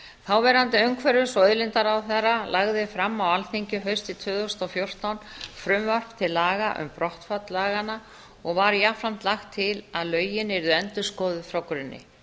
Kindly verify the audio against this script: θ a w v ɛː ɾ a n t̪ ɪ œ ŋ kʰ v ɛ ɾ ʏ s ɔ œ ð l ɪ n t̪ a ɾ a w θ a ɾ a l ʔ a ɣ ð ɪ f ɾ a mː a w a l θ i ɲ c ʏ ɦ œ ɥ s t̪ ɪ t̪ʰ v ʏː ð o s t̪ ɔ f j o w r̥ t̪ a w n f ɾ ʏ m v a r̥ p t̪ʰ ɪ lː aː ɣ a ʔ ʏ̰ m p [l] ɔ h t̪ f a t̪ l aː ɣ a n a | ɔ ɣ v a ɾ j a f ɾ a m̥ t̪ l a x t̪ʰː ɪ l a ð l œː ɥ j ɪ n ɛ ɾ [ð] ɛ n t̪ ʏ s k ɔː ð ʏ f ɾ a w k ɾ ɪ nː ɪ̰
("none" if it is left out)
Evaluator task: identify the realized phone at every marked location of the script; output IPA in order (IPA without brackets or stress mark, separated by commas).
ɾ, ð